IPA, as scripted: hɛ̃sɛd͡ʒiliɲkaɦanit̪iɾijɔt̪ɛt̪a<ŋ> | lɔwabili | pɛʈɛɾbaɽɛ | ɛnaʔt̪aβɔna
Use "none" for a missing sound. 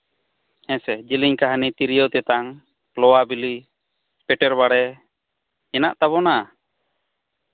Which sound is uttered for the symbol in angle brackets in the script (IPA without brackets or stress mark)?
ŋ